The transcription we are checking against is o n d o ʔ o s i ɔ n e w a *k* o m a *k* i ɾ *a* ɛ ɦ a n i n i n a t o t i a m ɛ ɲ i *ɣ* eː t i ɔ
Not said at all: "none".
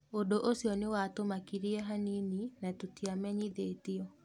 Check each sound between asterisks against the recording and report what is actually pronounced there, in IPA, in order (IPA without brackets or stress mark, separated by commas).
t, k, i, ð